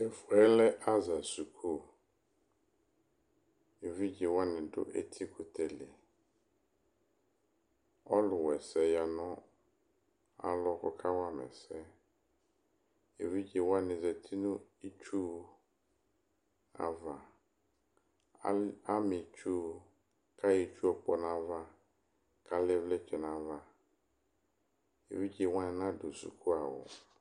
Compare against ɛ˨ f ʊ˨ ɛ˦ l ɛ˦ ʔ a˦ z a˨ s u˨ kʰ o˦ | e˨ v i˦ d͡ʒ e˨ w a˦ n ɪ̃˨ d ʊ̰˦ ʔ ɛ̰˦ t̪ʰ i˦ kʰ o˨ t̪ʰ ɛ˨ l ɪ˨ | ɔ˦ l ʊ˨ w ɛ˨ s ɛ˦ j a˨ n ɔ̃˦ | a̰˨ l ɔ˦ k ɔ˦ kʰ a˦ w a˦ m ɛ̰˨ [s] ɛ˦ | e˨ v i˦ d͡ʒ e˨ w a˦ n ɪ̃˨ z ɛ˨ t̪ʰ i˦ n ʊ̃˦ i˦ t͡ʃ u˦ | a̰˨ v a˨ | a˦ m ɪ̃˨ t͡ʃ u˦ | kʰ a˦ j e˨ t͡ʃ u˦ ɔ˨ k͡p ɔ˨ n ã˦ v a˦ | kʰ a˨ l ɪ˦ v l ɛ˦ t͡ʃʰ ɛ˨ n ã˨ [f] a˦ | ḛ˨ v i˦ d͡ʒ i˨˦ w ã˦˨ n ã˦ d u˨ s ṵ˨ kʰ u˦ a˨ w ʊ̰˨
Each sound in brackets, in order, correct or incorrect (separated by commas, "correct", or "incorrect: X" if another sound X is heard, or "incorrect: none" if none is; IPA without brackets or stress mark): correct, incorrect: v